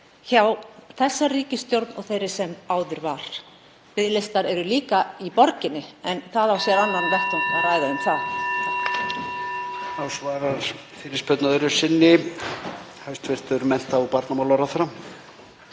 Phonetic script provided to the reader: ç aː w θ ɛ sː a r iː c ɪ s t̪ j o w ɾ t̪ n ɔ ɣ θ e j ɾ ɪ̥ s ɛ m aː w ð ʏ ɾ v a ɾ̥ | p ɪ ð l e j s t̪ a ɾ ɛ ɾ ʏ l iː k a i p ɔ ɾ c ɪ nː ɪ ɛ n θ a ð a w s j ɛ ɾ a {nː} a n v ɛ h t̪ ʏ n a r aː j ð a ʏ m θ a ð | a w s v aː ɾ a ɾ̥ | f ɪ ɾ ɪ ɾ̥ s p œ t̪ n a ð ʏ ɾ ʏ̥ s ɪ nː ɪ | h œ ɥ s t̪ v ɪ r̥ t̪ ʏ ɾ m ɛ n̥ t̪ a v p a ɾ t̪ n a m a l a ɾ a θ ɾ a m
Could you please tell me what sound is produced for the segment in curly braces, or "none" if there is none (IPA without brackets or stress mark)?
nː